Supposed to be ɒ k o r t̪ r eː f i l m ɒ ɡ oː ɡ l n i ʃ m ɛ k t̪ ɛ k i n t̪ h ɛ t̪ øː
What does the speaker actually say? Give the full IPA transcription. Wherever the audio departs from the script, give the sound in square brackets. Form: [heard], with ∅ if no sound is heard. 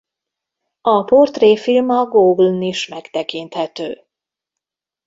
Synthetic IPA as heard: ɒ [p] o r t̪ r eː f i l m ɒ ɡ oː ɡ l n i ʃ m ɛ k t̪ ɛ k i n t̪ h ɛ t̪ øː